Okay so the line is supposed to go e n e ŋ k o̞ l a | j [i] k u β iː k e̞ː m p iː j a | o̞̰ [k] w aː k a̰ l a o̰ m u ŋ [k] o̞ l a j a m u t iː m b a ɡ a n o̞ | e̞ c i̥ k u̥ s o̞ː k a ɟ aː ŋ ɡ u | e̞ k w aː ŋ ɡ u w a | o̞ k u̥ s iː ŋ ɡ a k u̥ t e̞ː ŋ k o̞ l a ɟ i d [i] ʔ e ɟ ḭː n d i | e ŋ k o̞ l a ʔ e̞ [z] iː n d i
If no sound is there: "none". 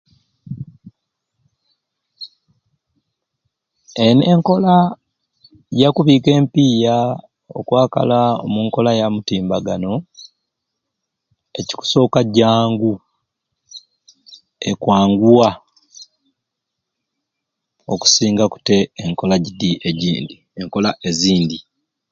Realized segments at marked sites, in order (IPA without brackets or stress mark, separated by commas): a, k, k, i, z